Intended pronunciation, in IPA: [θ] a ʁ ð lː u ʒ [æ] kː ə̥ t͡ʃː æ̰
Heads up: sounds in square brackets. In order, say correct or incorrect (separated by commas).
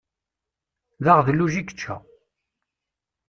incorrect, incorrect